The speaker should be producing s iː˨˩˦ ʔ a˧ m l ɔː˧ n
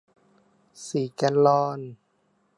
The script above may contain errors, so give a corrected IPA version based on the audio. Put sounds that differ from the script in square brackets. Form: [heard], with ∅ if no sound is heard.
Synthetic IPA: s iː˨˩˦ [k] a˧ [n] l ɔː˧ n